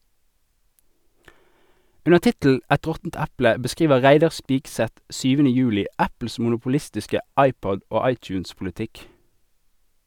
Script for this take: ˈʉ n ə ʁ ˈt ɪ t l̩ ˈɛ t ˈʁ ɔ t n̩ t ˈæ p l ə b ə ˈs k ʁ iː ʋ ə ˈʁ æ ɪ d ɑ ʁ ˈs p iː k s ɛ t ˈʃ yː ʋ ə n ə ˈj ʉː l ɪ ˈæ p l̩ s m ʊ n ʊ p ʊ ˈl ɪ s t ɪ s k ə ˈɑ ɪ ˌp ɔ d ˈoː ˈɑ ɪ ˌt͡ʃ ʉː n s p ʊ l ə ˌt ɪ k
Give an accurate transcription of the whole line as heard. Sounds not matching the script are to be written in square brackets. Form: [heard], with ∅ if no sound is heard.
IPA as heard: ˈʉ n ə ʁ ˈt ɪ t l̩ ˈɛ t ˈʁ ɔ t n̩ t ˈæ p l ə b ə ˈs k ʁ iː ʋ ə ˈʁ æ ɪ d ɑ ʁ ˈs p iː k s ɛ t ˈʃ yː ʋ ə n ə ˈj ʉː l ɪ ˈæ p l̩ s m ʊ n ʊ p ʊ ˈl ɪ s t ɪ s k ə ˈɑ ɪ ˌp ɔ d ˈoː ˈɑ ɪ ˌt͡ʃ ʉː n s p ʊ l ə ˌt ɪ k